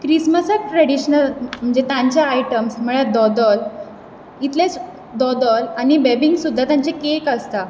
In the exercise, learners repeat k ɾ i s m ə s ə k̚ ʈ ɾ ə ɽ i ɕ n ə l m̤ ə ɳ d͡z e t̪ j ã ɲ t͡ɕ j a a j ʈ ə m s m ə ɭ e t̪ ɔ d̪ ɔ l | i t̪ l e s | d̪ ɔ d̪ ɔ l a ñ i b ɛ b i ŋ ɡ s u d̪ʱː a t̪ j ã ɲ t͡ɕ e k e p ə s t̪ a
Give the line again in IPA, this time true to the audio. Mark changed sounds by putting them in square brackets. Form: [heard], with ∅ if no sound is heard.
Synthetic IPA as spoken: k ɾ i s m ə s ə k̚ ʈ ɾ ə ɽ i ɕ n ə l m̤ ə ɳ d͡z e t̪ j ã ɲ t͡ɕ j a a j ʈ ə m s m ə ɭ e [d̪] ɔ d̪ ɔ l | i t̪ l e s | d̪ ɔ d̪ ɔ l a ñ i b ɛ b i ŋ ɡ s u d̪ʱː a t̪ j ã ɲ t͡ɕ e k e [k] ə s t̪ a

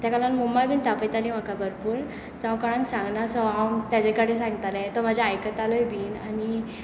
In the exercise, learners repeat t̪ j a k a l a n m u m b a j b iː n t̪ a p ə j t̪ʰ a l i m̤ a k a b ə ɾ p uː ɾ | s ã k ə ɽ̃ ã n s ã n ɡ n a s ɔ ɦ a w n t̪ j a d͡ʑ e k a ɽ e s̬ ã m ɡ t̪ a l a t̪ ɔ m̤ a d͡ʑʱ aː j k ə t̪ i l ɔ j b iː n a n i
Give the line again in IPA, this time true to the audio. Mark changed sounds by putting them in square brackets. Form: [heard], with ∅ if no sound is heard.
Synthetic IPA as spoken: t̪ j a k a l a n m u m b a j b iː n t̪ a p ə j [t̪] a l i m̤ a k a b ə ɾ p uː ɾ | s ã k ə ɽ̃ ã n s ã [ŋ] ɡ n a s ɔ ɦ a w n t̪ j a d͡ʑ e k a ɽ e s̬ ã [ŋ] ɡ t̪ a l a t̪ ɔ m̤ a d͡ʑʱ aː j k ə t̪ [a] l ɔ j b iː n a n i

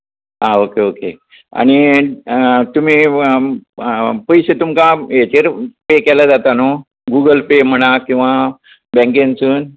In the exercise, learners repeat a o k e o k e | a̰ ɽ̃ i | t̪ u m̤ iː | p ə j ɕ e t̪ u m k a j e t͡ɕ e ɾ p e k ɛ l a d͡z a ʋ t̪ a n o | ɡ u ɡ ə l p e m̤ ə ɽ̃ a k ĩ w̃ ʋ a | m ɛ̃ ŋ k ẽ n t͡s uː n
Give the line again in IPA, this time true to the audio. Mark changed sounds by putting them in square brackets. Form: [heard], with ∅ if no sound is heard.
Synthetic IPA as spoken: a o k e o k e | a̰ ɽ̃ i | t̪ u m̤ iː | p ə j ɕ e t̪ u m k a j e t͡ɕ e ɾ p e k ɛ l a d͡z a [∅] t̪ a n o | ɡ u ɡ ə l p e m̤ ə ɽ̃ a k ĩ w̃ ʋ a | [b] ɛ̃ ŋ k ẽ n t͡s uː n

